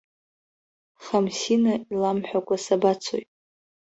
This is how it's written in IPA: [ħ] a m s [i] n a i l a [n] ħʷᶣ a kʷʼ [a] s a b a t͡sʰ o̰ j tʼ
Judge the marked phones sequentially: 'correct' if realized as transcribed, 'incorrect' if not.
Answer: incorrect: χ, correct, incorrect: m, correct

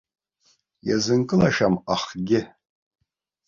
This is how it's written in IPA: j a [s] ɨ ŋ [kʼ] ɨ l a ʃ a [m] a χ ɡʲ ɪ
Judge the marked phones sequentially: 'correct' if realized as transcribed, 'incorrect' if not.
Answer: incorrect: z, correct, correct

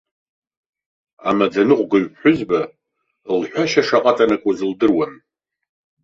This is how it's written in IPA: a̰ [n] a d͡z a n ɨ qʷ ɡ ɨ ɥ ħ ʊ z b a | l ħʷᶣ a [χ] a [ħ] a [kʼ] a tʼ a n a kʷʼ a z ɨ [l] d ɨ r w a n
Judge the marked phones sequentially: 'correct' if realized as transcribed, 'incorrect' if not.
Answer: incorrect: m, incorrect: ʃ, incorrect: ʂ, incorrect: qʼ, correct

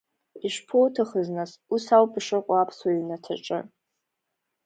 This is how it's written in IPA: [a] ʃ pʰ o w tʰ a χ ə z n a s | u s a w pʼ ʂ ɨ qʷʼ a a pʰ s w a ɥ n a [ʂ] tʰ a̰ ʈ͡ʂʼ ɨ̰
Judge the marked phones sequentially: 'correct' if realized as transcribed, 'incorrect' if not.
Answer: incorrect: i, incorrect: none

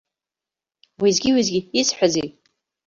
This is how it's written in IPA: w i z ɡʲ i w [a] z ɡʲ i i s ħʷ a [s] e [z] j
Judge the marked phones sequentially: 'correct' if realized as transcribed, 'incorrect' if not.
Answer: incorrect: i, incorrect: z, incorrect: none

